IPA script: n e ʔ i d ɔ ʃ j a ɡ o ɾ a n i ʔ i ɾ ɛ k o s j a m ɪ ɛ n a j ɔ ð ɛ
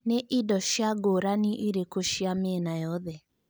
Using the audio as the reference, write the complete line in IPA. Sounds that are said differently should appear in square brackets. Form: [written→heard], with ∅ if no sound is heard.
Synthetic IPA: n e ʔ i d ɔ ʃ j a ɡ o ɾ a n i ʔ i ɾ [ɛ→e] k o [s→ʃ] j a m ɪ ɛ n a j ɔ ð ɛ